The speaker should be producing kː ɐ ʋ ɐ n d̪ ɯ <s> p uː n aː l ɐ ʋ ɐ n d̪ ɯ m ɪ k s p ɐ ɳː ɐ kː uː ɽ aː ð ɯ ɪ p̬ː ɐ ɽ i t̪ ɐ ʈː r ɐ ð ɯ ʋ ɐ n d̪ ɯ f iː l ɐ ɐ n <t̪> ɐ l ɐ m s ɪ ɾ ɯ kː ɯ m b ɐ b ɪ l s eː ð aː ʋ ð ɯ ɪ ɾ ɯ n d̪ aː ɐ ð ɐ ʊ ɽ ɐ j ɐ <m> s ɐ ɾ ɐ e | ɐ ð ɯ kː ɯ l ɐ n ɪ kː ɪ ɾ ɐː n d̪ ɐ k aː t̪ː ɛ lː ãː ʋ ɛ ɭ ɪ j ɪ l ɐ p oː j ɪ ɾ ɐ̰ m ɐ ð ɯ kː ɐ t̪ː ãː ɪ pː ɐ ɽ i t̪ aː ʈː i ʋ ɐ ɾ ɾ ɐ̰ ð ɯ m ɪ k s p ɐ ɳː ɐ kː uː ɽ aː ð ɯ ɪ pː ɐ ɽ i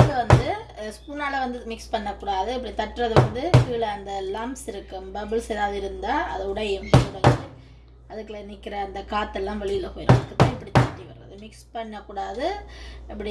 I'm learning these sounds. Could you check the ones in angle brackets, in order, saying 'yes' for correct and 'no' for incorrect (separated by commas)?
yes, no, yes